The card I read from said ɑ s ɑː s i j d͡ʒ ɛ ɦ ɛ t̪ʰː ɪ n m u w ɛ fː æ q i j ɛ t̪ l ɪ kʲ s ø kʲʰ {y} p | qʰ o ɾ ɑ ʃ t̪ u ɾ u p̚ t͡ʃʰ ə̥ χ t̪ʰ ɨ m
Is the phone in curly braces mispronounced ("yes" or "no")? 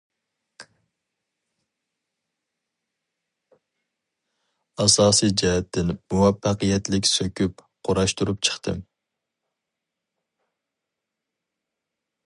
no